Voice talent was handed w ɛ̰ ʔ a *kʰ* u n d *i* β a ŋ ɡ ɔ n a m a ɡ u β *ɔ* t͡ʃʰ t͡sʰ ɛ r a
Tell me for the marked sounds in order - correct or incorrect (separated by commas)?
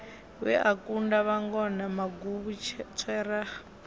incorrect, incorrect, incorrect